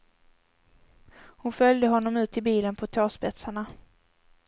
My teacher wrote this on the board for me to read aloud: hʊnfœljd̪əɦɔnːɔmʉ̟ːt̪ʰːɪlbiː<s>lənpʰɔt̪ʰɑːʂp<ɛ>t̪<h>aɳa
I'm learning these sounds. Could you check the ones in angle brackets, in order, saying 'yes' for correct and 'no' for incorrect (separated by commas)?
no, yes, no